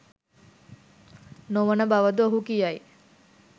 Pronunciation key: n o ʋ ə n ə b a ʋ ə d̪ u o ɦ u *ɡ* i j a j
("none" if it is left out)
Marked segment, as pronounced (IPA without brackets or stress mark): k